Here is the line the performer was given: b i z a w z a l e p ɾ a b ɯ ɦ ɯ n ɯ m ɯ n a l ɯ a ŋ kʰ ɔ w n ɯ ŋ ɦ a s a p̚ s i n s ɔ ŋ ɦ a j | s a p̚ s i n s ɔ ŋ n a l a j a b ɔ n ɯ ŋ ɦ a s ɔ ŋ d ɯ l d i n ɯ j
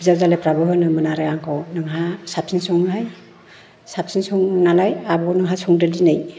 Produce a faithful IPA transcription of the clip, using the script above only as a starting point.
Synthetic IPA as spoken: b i z a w z a l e p ɾ a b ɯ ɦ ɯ n ɯ m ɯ n a ɾ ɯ a ŋ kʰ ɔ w n ɯ ŋ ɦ a s a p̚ s i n s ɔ ŋ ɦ a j | s a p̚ s i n s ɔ ŋ n a l a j a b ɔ n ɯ ŋ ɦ a s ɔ ŋ d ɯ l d i n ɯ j